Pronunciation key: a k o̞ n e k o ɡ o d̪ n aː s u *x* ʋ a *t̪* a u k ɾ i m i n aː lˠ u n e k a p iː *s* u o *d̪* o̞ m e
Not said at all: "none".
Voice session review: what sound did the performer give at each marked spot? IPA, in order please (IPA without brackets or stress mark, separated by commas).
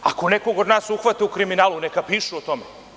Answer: x, t̪, ʃ, t̪